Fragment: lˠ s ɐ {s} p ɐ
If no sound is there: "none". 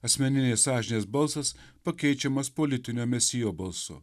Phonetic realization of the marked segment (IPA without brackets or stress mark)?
s